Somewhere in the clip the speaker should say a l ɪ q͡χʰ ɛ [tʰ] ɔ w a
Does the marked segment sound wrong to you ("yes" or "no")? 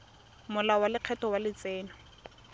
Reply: yes